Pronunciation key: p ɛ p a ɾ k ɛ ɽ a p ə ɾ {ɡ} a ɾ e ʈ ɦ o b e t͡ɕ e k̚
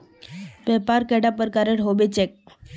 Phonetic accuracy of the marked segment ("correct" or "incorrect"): incorrect